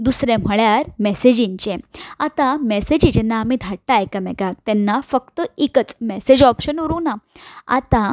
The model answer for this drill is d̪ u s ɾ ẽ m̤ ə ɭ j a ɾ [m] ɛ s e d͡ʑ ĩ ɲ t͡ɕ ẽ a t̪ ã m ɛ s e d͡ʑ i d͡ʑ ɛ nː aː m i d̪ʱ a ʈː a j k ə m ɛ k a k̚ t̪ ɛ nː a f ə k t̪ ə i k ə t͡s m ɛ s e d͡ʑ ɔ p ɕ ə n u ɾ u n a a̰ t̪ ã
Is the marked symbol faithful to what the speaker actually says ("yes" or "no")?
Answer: yes